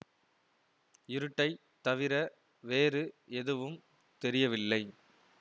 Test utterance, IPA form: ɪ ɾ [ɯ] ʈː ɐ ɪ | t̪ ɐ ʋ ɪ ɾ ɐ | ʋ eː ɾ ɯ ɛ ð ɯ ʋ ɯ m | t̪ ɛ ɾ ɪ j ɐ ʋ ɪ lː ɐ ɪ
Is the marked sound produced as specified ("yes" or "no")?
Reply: yes